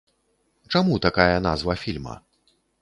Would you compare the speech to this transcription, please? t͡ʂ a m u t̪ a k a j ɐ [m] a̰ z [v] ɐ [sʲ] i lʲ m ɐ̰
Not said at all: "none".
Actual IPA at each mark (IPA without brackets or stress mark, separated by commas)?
n, v, fʲ